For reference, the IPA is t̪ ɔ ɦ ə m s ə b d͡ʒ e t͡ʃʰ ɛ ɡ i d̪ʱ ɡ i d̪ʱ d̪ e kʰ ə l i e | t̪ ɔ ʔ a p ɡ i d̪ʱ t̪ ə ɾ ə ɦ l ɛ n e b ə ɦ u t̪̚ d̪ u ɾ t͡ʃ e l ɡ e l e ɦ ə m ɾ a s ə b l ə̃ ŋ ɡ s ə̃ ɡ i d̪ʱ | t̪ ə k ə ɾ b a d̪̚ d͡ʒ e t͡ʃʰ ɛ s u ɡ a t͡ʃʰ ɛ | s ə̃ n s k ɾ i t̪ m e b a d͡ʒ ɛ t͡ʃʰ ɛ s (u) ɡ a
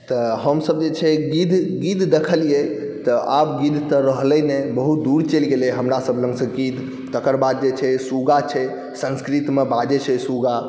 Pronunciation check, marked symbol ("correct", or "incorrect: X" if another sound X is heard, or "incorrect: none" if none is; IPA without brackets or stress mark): correct